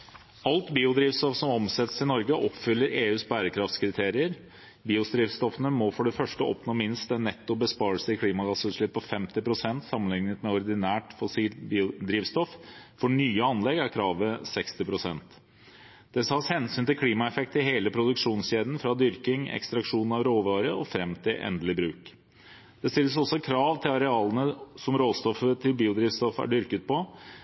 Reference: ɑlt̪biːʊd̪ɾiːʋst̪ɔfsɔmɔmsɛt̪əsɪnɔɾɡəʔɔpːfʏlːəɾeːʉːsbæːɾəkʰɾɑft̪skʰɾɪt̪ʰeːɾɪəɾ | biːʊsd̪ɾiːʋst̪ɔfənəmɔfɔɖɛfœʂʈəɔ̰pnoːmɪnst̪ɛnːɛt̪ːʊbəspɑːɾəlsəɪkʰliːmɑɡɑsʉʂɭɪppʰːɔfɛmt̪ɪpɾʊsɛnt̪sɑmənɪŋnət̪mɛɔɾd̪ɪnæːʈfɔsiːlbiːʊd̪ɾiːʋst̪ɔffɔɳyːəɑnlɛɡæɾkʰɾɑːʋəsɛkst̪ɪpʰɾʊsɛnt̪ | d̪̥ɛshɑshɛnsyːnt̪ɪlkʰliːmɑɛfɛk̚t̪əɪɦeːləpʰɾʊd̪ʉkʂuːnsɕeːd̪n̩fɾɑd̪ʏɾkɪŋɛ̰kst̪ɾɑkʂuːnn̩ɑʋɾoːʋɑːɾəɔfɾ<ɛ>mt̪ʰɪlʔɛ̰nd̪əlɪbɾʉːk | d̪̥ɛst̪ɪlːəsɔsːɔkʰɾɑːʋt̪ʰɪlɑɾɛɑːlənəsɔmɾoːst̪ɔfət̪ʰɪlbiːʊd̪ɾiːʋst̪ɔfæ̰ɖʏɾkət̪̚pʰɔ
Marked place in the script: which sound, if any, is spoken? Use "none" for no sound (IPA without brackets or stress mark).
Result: ɛ